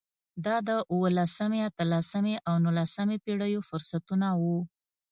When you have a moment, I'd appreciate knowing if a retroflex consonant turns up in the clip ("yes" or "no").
yes